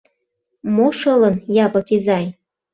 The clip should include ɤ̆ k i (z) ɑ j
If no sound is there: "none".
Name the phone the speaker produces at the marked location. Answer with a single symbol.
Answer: z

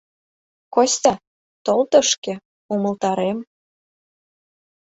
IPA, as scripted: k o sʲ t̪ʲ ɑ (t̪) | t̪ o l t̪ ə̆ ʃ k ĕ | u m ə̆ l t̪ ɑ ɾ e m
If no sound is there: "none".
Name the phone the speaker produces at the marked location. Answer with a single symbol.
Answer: none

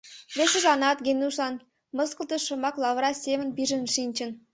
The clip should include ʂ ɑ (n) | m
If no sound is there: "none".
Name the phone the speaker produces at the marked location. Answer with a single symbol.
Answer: n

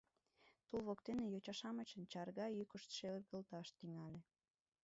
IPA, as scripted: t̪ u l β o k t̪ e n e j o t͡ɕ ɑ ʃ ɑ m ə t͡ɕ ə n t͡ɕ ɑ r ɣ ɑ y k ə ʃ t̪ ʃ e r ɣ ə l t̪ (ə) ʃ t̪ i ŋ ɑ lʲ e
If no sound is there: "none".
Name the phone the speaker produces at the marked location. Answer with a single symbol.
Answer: ɑ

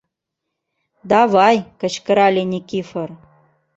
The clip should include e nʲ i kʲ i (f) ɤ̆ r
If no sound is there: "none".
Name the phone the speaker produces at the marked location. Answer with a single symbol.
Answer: f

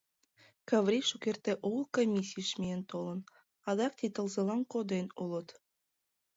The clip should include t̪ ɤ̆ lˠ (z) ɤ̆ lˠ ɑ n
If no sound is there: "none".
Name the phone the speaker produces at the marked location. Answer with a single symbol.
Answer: z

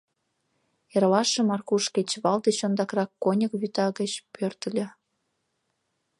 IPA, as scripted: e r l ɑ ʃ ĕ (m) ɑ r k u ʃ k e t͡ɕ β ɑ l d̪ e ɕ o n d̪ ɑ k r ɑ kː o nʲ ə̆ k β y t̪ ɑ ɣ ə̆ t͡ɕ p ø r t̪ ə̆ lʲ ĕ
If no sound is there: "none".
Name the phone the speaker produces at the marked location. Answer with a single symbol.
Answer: m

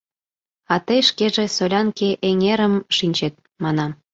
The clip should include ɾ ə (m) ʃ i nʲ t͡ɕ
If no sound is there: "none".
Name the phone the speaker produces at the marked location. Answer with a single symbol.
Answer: m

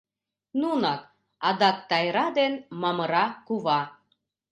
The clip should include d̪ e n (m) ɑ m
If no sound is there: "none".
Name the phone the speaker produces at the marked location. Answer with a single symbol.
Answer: m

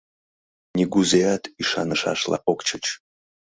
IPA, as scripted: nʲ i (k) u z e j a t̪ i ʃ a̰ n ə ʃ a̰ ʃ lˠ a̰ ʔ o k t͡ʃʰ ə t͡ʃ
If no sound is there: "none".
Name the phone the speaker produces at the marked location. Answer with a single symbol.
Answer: ɡ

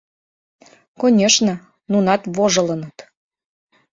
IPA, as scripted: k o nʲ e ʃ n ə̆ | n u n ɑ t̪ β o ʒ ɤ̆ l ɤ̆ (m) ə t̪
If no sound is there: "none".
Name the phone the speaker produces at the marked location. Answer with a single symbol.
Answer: n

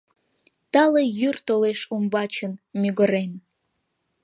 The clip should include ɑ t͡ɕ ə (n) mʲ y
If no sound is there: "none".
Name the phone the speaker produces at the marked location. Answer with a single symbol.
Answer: n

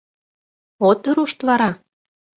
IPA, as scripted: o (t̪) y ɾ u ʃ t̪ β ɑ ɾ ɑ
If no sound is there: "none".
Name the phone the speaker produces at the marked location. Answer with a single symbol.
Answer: t̪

